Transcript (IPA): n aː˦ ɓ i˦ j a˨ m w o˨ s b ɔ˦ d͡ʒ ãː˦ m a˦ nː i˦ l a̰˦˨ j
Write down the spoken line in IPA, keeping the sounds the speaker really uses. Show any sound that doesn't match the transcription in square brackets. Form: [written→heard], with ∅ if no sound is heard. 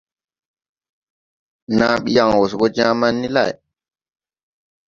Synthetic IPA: n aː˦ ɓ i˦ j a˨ [m→ŋ] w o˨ s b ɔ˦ d͡ʒ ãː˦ m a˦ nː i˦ l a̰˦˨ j